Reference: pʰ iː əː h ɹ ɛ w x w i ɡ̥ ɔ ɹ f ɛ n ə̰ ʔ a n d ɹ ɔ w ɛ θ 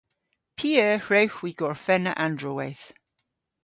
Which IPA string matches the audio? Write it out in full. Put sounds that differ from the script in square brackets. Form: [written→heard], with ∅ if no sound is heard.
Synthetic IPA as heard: pʰ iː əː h ɹ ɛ w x w i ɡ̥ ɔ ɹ f ɛ n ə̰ ʔ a n d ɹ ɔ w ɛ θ